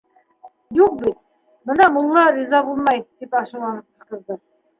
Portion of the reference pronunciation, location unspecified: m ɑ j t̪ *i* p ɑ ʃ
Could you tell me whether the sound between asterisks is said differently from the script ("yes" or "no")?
no